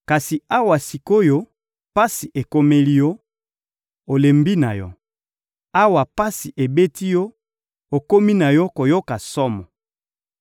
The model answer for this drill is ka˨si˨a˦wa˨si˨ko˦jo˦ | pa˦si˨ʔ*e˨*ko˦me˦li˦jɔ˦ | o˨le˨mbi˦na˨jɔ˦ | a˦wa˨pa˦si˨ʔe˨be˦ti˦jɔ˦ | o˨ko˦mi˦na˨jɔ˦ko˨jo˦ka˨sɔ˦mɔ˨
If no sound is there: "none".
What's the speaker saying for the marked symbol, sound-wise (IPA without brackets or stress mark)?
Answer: e˨